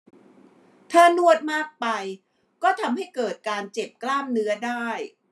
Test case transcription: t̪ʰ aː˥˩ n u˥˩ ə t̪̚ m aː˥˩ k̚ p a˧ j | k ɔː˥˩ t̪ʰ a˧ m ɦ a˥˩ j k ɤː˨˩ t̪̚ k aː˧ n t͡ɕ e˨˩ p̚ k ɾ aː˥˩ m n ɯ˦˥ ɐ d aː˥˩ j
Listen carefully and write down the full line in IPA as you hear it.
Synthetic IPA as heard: t̪ʰ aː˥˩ n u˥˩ ə t̪̚ m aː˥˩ k̚ p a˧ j | k ɔː˥˩ t̪ʰ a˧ m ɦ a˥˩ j k ɤː˨˩ t̪̚ k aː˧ n t͡ɕ e˨˩ p̚ k l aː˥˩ m n ɯ˦˥ ɐ d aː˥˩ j

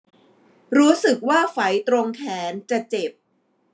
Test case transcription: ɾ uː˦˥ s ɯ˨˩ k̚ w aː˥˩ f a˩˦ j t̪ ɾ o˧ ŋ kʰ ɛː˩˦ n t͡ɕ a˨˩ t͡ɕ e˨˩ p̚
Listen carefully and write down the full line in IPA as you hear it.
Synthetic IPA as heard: ɾ uː˦˥ s ɯ˨˩ k̚ w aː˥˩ f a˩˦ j t̪ ɾ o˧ ŋ kʰ ɛː˩˦ n t͡ɕ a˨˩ t͡ɕ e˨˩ p̚

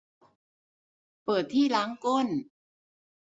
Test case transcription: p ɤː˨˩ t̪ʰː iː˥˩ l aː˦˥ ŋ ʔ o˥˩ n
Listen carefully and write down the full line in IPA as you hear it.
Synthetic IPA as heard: p ɤː˨˩ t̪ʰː iː˥˩ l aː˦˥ ŋ k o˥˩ n

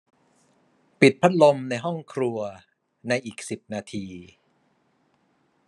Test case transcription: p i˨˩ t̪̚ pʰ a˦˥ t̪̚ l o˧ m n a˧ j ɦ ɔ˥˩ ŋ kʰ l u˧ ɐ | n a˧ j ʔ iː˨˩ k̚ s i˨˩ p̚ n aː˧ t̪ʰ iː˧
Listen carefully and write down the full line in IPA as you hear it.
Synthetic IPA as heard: p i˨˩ t̪̚ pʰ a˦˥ t̪̚ l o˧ m n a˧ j ɦ ɔ˥˩ ŋ kʰ ɾ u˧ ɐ | n a˧ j ʔ iː˨˩ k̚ s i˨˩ p̚ n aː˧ t̪ʰ iː˧

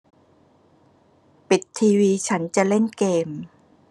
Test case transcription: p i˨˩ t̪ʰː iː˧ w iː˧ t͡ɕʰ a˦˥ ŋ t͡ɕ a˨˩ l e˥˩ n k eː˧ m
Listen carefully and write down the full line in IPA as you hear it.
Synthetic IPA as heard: p i˨˩ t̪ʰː iː˧ w iː˧ t͡ɕʰ a˦˥ n t͡ɕ a˨˩ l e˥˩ n k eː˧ m

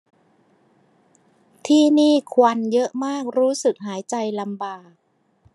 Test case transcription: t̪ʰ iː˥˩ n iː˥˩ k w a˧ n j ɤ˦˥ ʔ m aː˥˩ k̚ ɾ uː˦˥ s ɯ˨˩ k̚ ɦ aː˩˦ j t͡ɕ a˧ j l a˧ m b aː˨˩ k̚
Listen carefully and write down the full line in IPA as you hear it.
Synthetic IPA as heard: t̪ʰ iː˥˩ n iː˥˩ kʰ w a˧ n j ɤ˦˥ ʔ m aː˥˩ k̚ ɾ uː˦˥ s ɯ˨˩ k̚ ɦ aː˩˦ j t͡ɕ a˧ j l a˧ m b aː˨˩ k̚

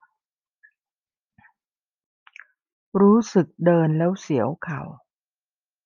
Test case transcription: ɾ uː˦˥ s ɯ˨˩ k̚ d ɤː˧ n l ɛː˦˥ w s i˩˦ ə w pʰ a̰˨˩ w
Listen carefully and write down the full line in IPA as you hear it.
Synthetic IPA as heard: ɾ uː˦˥ s ɯ˨˩ k̚ d ɤː˧ n l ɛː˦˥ w s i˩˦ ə w kʰ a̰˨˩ w

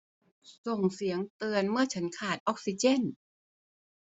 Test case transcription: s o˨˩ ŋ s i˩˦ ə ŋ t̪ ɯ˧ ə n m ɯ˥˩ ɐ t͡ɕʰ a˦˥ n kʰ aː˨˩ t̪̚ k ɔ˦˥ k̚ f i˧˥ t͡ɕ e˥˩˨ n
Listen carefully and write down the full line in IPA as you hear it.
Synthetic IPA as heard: s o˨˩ ŋ s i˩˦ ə ŋ t̪ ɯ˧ ə n m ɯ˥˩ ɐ t͡ɕʰ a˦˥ n kʰ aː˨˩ t̪̚ ʔ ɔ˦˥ k̚ s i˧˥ t͡ɕ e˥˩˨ n

